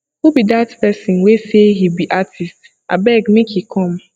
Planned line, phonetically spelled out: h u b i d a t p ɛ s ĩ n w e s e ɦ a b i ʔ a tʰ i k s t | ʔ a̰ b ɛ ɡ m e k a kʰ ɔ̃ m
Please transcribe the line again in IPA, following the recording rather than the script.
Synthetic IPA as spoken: h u b i d a t p ɛ s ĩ n w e s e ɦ i b i ʔ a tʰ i s t | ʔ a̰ b ɛ ɡ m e k i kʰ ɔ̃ m